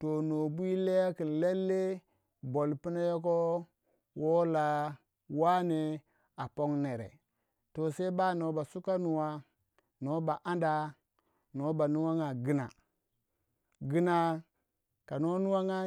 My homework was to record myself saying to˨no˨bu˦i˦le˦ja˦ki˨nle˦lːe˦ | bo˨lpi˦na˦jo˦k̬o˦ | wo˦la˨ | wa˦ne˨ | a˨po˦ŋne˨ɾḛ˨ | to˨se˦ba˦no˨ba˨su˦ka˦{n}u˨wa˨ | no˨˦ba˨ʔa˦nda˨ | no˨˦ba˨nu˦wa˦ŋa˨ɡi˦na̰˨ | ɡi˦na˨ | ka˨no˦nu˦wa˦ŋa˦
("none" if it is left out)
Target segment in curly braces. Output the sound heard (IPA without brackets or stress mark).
n